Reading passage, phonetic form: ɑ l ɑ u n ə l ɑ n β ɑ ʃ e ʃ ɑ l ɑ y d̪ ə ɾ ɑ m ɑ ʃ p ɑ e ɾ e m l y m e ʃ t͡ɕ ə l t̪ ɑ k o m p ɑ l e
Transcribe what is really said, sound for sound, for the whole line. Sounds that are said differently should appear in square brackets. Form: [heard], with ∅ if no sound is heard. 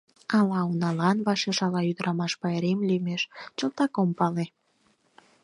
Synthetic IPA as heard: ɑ l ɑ u n [ɑ] l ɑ n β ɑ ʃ e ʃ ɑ l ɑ y d̪ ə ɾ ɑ m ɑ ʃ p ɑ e ɾ e m l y m e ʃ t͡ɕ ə l t̪ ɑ k o m p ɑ l e

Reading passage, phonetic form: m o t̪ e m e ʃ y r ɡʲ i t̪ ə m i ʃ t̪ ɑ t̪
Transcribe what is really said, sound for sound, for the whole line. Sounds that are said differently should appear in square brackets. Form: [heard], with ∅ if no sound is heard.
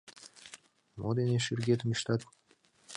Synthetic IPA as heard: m o [d̪] e [n] e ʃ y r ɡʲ [e] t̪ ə m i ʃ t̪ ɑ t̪

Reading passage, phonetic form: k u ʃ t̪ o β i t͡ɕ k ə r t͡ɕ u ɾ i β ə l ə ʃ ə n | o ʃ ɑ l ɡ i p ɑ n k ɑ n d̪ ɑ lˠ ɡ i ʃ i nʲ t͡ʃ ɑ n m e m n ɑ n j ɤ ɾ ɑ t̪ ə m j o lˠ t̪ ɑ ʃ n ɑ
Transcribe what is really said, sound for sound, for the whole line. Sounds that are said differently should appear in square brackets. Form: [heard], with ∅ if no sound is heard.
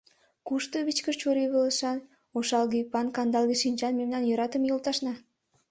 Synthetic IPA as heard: k u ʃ t̪ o β i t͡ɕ k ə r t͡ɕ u ɾ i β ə l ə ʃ [ɑ] n | o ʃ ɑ l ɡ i p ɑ n k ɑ n d̪ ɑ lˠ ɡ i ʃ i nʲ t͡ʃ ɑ n m e m n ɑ n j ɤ ɾ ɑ t̪ ə m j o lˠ t̪ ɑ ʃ n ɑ

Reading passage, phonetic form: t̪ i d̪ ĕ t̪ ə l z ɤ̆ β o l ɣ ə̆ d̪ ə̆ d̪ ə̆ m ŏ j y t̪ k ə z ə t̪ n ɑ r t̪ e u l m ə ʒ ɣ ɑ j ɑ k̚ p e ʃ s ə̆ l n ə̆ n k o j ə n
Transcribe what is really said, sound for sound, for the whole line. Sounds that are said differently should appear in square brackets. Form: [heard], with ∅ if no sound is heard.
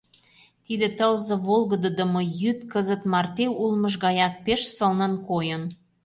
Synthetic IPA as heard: t̪ i d̪ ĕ t̪ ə l z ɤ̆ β o l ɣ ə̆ d̪ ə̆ d̪ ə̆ m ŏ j y t̪ k ə z ə t̪ [m] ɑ r t̪ e u l m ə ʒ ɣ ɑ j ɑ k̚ p e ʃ s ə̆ l n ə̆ n k o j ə n

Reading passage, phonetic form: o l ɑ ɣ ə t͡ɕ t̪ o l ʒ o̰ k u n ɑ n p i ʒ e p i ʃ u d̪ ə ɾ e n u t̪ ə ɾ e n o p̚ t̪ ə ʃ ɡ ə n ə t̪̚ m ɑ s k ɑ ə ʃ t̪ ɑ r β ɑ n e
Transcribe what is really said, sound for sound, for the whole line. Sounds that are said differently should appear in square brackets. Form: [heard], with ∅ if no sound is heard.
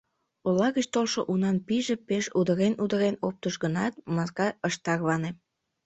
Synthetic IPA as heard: o l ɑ ɣ ə t͡ɕ t̪ o l [ʃ] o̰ [ʔ] u n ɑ n p i ʒ e p [e] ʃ u d̪ ə ɾ e n u [d̪] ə ɾ e n o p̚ t̪ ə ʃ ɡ ə n [ɑ] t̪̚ m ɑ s k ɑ ə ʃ t̪ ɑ r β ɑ n e

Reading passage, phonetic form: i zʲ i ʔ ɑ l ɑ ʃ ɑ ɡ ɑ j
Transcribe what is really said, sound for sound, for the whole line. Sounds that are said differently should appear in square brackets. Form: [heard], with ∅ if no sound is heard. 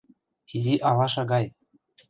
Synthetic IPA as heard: i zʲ i ʔ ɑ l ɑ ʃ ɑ ɡ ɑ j

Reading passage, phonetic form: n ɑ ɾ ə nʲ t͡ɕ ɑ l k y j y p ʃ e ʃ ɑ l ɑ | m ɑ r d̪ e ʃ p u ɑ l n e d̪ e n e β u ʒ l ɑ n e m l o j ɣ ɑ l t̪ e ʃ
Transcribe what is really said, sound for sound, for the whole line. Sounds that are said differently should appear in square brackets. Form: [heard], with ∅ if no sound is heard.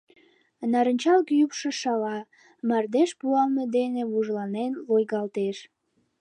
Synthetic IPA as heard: n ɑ ɾ ə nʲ t͡ɕ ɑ l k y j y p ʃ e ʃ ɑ l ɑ | m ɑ r d̪ e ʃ p u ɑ l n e d̪ e n e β u ʒ l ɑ n e [n] l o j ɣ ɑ l t̪ e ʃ

